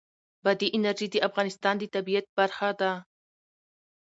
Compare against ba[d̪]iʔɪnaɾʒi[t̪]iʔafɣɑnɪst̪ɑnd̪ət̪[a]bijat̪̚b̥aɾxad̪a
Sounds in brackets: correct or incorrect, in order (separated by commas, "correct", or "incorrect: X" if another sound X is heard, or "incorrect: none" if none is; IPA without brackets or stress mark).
correct, incorrect: d̪, correct